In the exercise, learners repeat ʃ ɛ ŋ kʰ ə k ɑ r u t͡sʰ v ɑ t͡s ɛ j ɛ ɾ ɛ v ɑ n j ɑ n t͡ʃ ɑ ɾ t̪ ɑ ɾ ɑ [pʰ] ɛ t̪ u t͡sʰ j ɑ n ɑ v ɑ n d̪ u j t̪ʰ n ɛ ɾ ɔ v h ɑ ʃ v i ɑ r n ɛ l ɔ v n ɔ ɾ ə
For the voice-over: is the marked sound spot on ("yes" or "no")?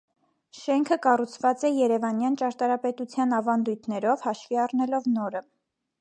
no